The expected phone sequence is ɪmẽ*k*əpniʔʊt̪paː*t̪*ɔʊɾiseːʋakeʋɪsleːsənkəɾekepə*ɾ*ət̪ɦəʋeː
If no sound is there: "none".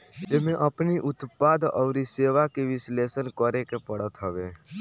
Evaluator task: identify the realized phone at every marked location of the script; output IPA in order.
ʔ, d̪, ɽ

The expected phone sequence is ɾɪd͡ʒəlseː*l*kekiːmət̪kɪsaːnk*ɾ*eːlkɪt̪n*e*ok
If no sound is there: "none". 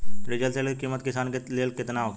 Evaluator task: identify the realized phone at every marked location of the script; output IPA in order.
l, l, a

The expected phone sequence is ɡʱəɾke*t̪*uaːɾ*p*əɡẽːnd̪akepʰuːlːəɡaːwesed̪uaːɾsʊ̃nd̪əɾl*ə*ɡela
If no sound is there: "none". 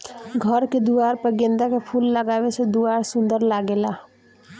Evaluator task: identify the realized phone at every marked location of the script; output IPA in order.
d̪, p, a

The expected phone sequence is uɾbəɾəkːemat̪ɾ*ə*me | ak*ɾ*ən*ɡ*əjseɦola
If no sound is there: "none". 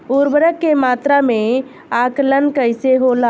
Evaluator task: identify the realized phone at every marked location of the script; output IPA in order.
a, l, k

